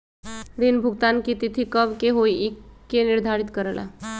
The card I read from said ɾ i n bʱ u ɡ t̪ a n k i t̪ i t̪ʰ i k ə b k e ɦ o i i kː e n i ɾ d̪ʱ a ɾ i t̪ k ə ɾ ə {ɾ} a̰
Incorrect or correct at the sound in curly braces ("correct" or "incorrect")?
incorrect